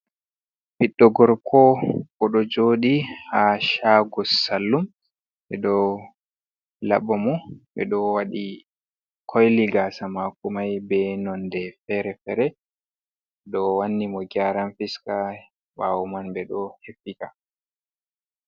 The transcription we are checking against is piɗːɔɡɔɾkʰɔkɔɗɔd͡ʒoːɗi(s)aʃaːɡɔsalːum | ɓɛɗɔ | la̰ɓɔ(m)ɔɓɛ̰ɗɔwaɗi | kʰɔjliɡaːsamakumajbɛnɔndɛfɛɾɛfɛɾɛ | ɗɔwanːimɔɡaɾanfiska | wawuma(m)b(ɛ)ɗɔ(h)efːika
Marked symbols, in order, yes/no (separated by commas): no, yes, no, yes, yes